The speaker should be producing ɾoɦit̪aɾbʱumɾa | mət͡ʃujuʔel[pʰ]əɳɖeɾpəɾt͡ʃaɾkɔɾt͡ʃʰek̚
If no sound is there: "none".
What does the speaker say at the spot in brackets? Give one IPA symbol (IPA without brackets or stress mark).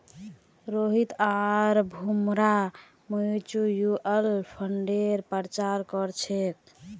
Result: pʰ